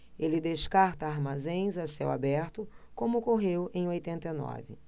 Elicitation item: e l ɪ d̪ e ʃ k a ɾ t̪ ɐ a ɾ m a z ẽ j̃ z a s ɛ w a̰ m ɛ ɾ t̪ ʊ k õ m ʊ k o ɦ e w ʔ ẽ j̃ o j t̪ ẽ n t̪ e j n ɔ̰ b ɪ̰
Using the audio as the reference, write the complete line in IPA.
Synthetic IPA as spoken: e l ɪ d̪ e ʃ k a ɾ t̪ ɐ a ɾ m a z ẽ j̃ z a s ɛ w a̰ b ɛ ɾ t̪ ʊ k õ m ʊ k o ɦ e w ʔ ẽ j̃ o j t̪ ẽ n t̪ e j n ɔ̰ v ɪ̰